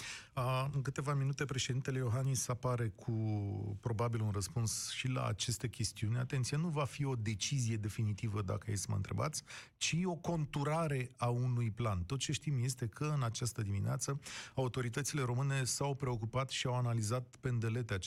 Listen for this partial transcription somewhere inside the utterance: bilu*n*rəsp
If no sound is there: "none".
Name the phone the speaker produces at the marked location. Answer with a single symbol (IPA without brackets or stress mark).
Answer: n